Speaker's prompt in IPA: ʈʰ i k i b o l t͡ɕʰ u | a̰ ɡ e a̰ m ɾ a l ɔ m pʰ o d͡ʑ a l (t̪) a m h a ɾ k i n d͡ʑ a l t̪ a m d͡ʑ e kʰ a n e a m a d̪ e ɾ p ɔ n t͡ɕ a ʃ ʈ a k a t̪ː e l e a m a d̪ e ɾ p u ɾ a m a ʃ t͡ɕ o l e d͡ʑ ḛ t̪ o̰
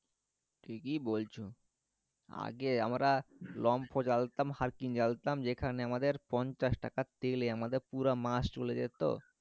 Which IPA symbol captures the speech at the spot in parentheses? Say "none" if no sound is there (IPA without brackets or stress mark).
t̪